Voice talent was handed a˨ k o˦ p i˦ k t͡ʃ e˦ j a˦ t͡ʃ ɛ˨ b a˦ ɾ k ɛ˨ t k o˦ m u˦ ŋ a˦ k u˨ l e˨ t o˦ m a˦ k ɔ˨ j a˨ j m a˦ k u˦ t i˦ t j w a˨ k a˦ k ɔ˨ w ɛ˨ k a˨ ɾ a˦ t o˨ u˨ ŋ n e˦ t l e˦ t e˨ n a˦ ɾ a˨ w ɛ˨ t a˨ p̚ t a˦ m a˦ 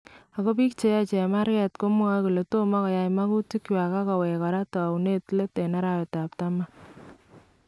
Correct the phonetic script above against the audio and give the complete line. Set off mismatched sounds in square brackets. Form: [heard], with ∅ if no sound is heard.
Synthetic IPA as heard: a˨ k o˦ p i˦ k t͡ʃ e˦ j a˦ t͡ʃ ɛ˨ [m] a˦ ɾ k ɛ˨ t k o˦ m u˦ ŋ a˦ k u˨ l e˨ t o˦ m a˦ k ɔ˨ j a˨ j m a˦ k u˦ t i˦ [k] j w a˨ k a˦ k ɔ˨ w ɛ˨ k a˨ ɾ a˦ t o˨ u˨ [∅] n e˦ t l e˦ t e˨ n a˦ ɾ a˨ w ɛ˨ t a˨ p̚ t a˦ m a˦